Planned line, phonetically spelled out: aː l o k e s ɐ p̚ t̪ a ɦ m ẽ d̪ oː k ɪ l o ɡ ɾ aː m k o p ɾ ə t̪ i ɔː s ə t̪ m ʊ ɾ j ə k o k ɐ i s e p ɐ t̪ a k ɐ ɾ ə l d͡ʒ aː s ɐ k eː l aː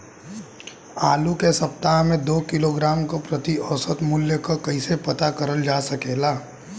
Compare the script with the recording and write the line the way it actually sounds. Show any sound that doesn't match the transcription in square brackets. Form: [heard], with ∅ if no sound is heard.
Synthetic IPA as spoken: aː l [u] k e s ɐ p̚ t̪ a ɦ m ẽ d̪ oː k ɪ l o ɡ ɾ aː m k o p ɾ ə t̪ i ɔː s ə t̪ m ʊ [l] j ə k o k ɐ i s e p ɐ t̪ a k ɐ ɾ ə l d͡ʒ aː s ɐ k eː l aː